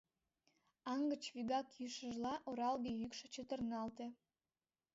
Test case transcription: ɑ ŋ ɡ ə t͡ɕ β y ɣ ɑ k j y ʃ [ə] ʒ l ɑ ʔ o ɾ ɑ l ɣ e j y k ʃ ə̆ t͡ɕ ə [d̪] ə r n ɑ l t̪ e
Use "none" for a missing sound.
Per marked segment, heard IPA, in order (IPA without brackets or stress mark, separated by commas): ə, t̪